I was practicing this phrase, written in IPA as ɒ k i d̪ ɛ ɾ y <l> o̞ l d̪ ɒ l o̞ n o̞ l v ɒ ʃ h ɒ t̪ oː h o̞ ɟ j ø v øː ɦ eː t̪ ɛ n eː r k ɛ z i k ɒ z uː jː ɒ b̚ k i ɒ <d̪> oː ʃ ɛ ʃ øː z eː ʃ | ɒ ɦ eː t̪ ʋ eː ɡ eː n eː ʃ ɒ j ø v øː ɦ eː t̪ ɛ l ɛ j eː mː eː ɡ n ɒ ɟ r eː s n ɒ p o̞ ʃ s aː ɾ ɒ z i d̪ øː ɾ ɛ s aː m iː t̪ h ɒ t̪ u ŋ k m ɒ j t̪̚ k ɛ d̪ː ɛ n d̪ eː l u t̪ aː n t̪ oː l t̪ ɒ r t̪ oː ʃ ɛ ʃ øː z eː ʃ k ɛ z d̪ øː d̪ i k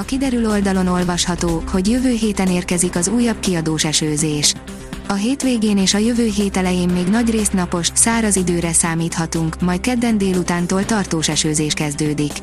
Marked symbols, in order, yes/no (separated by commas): yes, yes